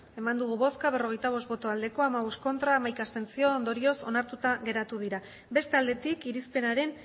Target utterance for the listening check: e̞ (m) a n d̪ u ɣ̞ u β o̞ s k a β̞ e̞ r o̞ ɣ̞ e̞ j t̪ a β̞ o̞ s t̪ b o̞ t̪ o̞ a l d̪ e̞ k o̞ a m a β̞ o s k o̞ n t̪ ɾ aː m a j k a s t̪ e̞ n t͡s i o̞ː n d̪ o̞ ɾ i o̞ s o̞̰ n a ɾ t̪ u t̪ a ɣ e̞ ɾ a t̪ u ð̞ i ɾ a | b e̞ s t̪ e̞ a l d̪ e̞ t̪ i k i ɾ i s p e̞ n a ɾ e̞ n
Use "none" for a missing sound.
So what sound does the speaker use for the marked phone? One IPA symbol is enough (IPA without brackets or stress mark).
m